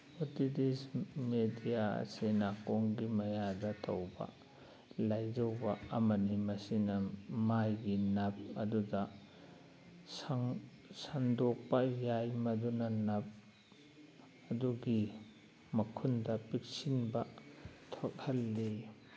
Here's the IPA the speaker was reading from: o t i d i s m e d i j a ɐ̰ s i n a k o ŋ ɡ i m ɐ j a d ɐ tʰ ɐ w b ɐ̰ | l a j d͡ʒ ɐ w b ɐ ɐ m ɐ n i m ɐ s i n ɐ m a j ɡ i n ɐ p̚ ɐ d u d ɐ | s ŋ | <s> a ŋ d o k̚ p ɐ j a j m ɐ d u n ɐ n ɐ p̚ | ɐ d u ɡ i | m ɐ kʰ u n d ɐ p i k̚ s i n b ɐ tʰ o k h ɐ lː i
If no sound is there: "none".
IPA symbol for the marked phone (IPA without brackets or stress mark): s